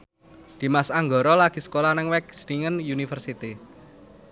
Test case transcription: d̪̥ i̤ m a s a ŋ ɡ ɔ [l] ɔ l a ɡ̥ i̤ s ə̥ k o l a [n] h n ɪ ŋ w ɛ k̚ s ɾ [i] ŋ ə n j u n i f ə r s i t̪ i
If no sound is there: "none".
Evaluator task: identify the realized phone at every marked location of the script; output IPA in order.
ɾ, none, i

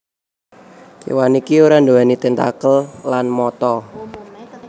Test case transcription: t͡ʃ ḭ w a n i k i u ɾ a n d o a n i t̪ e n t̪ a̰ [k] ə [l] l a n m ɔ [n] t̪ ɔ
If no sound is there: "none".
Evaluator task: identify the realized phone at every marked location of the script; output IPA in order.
k, l, none

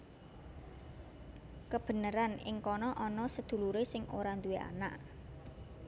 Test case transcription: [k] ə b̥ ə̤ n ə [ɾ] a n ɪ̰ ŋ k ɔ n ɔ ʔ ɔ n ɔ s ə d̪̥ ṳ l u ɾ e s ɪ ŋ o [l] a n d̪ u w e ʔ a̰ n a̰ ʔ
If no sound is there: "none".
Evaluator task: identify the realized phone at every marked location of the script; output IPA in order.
k, ɾ, ɾ

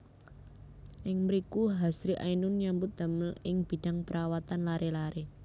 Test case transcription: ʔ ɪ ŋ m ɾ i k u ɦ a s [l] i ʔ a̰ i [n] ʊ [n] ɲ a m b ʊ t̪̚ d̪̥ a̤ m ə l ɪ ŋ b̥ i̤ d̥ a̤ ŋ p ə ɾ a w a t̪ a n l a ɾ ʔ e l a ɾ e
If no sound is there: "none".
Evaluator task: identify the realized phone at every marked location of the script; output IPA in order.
ɾ, n, n

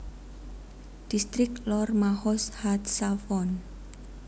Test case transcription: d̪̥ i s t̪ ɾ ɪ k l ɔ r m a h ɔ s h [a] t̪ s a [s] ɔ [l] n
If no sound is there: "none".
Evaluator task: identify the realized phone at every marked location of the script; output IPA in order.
a, f, none

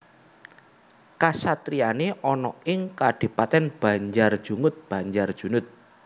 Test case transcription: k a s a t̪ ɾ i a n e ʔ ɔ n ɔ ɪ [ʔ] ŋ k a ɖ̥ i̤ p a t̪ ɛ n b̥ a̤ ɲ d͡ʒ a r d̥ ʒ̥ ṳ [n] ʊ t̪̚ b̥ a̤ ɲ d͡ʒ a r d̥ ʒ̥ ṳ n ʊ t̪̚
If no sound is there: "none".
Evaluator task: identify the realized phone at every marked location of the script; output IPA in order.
none, ŋ

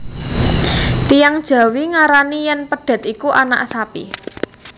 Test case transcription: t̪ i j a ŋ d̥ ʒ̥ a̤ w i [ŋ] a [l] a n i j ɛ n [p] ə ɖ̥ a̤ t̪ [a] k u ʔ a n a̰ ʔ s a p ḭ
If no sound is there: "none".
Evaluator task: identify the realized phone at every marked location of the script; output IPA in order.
ŋ, ɾ, p, i

